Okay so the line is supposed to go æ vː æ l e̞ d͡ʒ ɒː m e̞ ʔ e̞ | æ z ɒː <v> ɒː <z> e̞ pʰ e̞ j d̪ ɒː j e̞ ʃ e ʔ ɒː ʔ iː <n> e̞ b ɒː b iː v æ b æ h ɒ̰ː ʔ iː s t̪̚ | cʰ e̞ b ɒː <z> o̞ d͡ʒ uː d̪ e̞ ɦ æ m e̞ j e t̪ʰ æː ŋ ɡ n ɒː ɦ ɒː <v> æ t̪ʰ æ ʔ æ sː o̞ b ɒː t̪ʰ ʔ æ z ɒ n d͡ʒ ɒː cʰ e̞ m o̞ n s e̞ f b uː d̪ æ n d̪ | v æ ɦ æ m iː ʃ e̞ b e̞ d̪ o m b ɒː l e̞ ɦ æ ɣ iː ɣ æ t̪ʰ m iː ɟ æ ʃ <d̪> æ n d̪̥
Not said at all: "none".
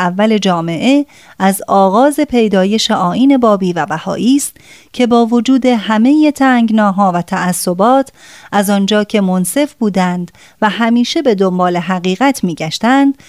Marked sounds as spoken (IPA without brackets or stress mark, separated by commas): ɣ, z, n, v, v, t̪